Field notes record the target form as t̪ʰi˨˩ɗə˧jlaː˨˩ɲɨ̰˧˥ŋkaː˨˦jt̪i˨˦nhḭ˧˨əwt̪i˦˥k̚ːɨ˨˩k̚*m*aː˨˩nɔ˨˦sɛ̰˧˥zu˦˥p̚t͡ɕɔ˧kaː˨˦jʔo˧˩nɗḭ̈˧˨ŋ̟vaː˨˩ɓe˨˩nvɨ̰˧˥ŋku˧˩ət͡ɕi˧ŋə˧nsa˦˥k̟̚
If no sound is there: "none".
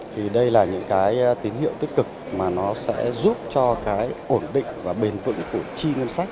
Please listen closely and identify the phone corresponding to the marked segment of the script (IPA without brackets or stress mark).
m